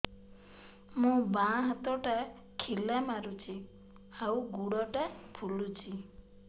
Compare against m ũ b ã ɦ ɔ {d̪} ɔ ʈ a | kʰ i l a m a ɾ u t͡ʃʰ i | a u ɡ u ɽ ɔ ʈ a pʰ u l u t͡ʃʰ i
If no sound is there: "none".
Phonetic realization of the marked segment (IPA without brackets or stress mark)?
t̪